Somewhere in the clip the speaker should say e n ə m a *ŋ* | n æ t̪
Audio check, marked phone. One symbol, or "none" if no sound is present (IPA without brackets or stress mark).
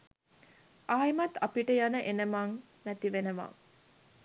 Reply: ŋ